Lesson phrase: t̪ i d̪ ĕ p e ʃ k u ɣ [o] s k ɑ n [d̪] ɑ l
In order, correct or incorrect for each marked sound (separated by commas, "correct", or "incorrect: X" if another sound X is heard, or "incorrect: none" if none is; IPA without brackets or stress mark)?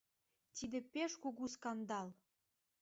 incorrect: u, correct